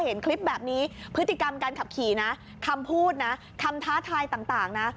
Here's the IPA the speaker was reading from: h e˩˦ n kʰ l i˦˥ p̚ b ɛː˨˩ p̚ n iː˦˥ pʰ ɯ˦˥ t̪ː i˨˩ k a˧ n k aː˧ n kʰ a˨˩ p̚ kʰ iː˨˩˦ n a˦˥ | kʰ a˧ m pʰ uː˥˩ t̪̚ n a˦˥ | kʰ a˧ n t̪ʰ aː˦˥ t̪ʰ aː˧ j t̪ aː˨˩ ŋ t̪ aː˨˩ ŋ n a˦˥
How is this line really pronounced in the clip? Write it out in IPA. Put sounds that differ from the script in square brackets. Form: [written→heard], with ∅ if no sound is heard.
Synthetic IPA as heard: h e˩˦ n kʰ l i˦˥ p̚ b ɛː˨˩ p̚ n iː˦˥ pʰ ɯ˦˥ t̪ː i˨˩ k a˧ [n→m] k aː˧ n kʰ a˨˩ p̚ kʰ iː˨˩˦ n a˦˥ | kʰ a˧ m pʰ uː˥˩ t̪̚ n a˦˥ | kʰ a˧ [n→m] t̪ʰ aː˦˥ t̪ʰ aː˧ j t̪ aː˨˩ ŋ t̪ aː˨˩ ŋ n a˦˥